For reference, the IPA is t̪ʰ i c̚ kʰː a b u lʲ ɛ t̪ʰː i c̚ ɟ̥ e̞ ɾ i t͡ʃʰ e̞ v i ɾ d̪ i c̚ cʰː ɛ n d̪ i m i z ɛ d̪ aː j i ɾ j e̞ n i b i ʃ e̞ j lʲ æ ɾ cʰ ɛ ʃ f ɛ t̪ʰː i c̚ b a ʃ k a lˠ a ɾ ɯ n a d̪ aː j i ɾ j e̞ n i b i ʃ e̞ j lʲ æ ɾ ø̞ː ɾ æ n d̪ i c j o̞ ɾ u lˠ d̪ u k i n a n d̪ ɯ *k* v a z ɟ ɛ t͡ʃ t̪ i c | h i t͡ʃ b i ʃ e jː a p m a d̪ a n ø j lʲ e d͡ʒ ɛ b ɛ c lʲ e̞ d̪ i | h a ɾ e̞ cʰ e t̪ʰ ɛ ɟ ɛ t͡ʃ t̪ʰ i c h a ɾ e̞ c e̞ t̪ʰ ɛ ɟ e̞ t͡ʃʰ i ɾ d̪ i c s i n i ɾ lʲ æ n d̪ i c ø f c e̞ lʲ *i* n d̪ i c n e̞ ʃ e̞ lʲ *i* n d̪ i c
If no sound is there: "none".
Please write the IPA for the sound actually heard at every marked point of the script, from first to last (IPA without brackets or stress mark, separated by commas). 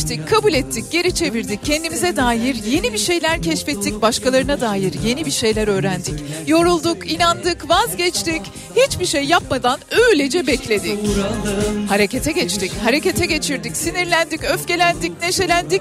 k, æ, æ